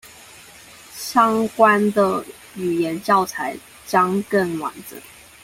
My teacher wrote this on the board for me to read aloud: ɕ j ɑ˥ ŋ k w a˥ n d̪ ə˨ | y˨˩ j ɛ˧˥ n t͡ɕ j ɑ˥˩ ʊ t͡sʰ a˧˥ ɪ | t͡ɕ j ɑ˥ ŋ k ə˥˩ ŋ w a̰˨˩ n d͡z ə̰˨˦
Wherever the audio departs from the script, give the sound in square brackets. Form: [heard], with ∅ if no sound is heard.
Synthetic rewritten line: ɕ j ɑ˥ ŋ k w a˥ n d̪ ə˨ | y˨˩ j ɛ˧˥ n t͡ɕ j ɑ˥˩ ʊ t͡sʰ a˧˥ ɪ | t͡ɕ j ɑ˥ ŋ k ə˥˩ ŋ w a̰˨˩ n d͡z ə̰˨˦